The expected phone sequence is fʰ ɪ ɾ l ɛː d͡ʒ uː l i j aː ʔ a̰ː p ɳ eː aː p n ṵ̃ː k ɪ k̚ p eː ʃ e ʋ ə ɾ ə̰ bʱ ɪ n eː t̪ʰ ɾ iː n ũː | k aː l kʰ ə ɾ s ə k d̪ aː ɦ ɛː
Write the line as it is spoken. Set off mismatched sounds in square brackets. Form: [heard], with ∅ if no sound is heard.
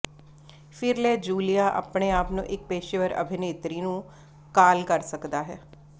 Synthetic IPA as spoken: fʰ ɪ ɾ l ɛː d͡ʒ uː l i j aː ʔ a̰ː p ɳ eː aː p n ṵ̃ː [ʔ] ɪ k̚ p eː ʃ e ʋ ə ɾ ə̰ bʱ ɪ n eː [t̪] ɾ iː n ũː | k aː l [k] ə ɾ s ə k d̪ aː ɦ ɛː